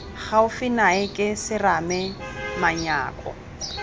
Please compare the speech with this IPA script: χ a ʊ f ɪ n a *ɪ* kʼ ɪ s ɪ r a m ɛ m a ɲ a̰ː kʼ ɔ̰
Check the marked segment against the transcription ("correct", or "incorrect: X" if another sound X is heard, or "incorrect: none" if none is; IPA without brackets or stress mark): correct